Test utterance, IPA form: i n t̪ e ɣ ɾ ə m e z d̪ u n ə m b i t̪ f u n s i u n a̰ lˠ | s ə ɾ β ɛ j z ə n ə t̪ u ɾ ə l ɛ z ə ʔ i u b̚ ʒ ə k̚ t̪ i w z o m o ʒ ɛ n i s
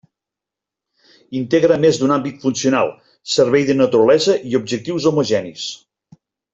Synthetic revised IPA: i n t̪ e ɣ ɾ ə m e z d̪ u n a m b i t̪ f u n s i u n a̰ lˠ | s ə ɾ β ɛ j ð ə n ə t̪ u ɾ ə l ɛ z ə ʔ i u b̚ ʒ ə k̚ t̪ i w z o m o ʒ ɛ n i s